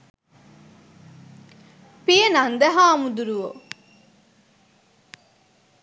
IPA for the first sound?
p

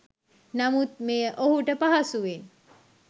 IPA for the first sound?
n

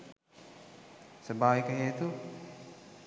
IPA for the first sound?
s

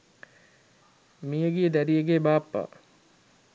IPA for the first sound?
m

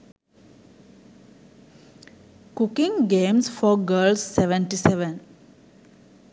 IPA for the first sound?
k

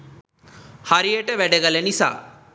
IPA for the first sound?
h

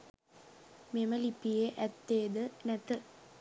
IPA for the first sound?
m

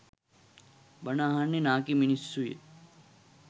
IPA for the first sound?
b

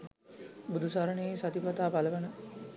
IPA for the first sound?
b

